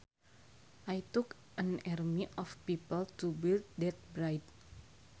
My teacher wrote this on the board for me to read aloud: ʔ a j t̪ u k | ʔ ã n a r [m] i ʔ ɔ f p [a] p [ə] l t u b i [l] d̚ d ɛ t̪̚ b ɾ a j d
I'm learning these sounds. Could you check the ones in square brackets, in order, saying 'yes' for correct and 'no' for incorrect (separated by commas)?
yes, no, yes, yes